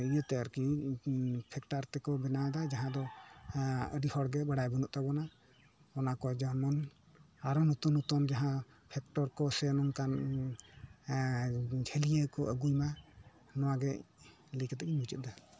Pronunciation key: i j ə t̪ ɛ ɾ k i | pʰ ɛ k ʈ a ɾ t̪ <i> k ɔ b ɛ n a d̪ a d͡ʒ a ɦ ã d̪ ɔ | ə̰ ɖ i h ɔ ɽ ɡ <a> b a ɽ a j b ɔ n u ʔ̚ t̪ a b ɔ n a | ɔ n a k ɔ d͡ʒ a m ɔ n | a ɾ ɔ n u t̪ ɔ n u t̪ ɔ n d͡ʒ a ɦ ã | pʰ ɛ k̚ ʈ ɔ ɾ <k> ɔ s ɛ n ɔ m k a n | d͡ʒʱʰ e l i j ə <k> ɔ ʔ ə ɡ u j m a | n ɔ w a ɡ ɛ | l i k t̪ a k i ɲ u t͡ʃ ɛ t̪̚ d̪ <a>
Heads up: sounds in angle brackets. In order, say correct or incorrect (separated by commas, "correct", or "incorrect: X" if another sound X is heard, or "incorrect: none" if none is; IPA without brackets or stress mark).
incorrect: ɛ, incorrect: ɛ, correct, correct, correct